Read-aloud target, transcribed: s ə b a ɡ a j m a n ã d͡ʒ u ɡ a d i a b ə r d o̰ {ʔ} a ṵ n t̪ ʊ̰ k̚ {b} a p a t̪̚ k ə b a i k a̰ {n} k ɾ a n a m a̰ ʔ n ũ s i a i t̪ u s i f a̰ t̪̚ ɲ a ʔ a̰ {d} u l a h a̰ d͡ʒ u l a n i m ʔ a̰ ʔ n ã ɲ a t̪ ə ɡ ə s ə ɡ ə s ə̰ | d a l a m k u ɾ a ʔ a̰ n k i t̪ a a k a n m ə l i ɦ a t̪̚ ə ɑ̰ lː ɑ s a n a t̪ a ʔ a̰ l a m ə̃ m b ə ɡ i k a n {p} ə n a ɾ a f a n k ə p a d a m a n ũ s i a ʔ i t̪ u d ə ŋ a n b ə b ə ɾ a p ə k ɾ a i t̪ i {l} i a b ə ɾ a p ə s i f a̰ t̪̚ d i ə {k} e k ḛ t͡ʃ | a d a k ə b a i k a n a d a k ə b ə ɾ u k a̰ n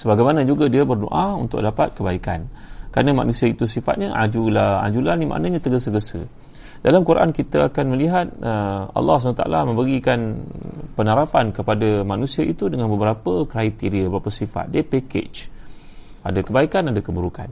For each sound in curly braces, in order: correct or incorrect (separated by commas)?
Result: correct, incorrect, correct, incorrect, correct, incorrect, incorrect